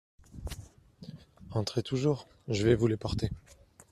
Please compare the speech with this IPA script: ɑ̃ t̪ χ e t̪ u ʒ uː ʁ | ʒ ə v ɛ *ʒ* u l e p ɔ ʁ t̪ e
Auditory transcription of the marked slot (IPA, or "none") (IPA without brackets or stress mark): v